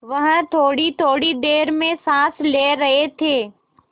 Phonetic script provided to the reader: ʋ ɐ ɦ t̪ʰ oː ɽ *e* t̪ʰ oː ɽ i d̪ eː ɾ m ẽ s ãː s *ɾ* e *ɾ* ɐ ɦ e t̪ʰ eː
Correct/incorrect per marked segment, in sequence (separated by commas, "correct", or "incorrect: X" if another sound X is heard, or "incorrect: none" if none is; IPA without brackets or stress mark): incorrect: i, incorrect: l, correct